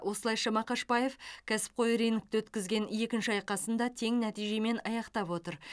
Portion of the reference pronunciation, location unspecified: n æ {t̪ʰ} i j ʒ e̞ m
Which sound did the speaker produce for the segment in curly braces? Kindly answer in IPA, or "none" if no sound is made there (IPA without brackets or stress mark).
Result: t̪